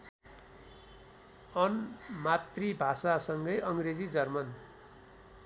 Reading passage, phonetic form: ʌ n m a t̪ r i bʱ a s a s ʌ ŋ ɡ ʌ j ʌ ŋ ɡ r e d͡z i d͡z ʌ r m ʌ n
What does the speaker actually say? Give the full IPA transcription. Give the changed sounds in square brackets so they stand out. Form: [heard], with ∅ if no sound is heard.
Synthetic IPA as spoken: ʌ n m a t̪ r i bʱ a s a s ʌ ŋ ɡ ʌ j ʌ ŋ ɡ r e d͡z i d͡z ʌ r m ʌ n